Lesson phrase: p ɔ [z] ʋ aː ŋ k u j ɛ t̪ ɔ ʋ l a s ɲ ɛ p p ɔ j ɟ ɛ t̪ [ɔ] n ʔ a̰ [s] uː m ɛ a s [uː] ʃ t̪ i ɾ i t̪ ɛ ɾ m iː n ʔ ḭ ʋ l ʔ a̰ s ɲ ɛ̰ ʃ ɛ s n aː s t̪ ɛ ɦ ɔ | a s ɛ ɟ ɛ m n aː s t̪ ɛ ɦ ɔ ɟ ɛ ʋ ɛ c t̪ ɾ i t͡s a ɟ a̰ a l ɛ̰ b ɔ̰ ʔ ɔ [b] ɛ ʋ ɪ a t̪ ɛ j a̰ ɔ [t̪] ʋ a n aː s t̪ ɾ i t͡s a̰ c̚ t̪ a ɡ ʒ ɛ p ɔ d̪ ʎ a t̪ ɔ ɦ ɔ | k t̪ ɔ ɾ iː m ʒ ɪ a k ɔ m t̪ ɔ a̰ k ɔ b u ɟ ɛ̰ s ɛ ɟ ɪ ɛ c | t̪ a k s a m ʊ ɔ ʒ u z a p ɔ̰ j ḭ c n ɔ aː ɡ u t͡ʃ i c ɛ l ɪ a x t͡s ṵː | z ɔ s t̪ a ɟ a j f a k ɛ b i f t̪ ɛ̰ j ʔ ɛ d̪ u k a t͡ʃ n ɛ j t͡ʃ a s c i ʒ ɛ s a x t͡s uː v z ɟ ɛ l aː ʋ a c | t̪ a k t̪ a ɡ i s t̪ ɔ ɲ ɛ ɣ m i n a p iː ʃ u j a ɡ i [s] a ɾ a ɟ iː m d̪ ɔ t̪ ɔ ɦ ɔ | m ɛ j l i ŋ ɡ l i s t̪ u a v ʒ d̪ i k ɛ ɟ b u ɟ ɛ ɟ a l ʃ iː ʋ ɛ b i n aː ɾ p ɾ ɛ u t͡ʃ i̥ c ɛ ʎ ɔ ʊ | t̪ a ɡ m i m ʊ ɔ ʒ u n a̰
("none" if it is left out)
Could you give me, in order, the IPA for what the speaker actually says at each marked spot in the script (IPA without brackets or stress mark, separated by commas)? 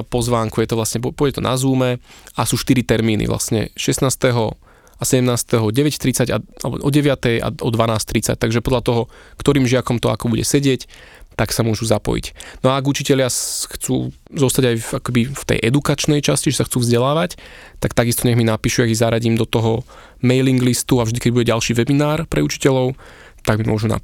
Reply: z, ɔ, z, uː, ɟ, d̪, z